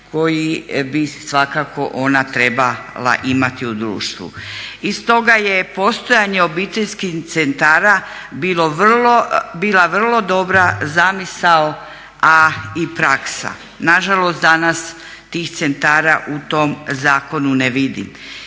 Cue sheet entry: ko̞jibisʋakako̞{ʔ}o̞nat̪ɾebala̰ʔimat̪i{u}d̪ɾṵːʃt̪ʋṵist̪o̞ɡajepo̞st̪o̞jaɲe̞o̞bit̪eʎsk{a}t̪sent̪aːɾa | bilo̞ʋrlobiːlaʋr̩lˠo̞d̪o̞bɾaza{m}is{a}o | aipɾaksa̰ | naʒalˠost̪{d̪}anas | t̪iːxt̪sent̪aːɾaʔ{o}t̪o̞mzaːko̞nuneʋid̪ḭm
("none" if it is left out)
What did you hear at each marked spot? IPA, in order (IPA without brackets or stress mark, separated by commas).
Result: ʔ, u, i, m, a, d̪, u